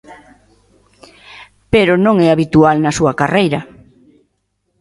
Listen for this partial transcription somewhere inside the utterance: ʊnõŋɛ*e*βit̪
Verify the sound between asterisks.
incorrect: a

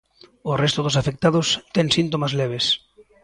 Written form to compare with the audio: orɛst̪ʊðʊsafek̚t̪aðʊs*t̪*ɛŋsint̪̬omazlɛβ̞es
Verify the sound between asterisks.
correct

